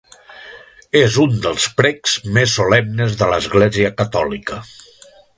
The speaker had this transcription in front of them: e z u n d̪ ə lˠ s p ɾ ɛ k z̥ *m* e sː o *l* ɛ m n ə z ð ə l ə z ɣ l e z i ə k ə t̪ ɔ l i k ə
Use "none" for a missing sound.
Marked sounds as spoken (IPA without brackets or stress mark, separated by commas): m, l